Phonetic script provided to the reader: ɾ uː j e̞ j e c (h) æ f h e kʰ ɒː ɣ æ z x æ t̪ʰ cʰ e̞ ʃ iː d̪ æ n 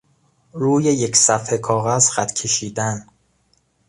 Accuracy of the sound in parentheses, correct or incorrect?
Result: incorrect